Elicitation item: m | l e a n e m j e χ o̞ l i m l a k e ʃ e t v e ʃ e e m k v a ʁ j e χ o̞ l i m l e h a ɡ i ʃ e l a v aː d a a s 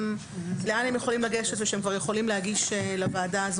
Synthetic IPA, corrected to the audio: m | l e a n e m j e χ o̞ l i m l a ɡ e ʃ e t v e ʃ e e m k v a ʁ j e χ o̞ l i m l e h a ɡ i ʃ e l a v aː d a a z